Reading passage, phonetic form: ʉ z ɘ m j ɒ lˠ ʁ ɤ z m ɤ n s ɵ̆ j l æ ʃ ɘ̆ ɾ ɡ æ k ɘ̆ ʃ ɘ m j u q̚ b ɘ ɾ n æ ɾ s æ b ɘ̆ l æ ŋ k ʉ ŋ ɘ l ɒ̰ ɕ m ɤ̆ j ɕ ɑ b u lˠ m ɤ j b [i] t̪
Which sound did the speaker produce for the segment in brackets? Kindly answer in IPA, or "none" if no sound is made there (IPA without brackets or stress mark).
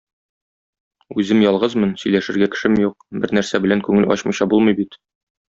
i